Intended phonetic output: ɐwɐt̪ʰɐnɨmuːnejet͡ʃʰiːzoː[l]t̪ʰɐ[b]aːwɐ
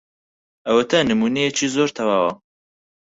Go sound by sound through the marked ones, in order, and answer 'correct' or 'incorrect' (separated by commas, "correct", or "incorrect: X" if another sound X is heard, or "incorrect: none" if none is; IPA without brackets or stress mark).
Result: incorrect: ɾ, incorrect: w